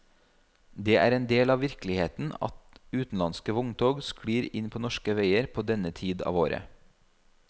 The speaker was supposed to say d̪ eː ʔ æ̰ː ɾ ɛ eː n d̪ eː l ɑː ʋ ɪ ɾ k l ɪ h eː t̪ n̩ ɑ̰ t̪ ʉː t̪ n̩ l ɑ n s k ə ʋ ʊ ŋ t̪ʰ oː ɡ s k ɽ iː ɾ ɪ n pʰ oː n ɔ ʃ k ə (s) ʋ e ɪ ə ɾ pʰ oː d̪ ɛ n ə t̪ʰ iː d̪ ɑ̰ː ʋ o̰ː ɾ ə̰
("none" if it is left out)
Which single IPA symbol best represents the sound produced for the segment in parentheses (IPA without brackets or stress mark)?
none